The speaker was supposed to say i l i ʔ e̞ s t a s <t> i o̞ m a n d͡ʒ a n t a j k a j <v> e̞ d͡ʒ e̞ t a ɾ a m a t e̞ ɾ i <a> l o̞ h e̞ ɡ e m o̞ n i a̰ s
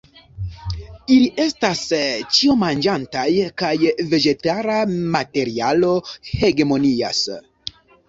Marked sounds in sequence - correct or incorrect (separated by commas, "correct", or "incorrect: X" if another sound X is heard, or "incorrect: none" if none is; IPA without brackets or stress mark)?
incorrect: t͡ʃ, correct, correct